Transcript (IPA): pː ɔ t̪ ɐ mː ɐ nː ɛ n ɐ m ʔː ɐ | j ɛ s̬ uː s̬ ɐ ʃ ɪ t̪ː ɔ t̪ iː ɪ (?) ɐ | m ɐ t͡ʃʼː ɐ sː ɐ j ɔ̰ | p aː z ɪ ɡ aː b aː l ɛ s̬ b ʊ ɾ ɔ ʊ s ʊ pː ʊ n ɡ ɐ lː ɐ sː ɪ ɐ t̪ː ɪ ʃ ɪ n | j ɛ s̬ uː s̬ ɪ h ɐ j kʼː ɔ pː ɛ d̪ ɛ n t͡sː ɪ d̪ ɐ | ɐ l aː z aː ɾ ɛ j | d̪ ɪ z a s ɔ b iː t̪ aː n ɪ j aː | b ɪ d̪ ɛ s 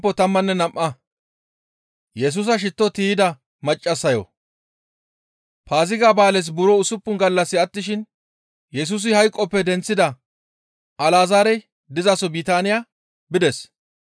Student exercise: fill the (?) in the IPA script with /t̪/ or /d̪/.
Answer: d̪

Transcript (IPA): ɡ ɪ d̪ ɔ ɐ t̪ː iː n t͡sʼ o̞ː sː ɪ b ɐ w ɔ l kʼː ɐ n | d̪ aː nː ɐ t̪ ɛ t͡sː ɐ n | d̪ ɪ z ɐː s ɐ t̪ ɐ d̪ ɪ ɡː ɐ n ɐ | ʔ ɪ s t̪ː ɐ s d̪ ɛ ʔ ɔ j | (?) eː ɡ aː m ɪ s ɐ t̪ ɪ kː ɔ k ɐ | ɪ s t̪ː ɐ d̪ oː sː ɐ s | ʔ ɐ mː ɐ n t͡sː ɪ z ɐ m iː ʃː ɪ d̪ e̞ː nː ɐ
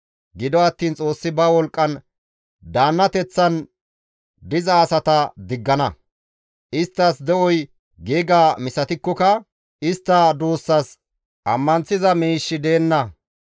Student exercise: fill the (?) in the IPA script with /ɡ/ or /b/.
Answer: ɡ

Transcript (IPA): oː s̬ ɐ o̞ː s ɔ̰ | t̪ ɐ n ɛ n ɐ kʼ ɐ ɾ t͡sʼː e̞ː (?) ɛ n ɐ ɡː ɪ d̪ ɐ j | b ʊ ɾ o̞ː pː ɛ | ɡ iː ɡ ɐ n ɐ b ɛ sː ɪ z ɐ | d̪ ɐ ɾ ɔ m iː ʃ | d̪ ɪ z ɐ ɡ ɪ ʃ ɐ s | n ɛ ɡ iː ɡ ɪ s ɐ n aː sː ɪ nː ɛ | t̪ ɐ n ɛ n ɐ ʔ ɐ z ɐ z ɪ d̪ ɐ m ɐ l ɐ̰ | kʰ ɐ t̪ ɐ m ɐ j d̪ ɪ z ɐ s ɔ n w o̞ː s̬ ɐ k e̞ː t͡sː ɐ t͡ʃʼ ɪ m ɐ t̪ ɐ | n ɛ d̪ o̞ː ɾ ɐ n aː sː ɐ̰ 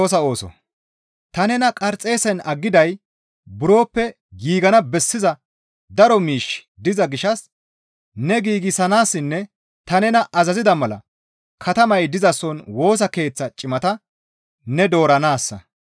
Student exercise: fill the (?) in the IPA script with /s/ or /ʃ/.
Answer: s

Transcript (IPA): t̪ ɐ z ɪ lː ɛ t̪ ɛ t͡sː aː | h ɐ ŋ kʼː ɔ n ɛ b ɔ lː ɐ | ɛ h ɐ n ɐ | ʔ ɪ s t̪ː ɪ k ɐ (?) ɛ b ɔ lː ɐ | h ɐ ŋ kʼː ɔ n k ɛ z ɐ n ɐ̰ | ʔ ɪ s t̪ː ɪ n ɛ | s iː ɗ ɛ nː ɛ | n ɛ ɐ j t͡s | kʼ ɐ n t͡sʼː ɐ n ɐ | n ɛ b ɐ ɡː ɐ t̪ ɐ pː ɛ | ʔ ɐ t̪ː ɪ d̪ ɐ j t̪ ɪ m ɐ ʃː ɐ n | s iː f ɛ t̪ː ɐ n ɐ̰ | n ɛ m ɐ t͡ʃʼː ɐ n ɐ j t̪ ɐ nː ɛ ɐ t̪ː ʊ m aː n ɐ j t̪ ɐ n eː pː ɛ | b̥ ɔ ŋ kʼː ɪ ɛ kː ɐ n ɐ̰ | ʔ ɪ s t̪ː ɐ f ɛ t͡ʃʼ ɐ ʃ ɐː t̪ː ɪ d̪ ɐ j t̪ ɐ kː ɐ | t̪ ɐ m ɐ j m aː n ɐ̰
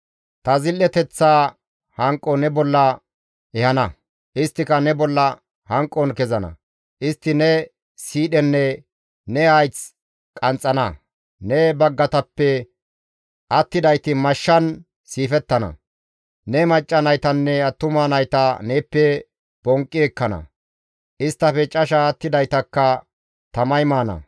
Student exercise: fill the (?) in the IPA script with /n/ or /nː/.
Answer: n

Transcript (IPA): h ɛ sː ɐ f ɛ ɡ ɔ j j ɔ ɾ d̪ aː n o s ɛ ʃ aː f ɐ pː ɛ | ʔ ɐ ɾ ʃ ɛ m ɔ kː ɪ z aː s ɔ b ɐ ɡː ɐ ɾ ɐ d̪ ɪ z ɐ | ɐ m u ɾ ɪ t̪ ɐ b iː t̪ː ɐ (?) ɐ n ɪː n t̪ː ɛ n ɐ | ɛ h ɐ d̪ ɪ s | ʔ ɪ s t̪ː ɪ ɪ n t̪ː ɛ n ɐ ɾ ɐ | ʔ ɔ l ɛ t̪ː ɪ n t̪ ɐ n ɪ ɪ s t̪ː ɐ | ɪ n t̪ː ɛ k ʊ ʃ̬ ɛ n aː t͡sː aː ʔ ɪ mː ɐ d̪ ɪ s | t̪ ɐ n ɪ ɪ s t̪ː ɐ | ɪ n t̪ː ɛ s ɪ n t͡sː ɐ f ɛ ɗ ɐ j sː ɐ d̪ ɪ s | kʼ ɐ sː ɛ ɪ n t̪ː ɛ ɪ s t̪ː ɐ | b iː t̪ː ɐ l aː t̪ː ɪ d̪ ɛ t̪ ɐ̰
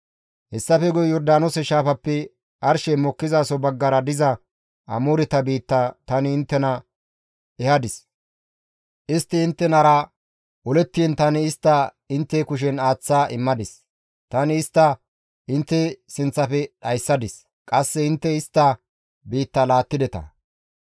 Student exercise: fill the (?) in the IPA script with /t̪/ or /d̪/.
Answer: t̪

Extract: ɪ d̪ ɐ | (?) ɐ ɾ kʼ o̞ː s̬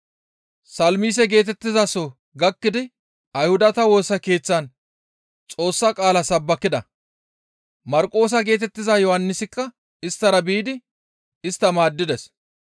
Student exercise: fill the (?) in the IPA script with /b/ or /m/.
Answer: m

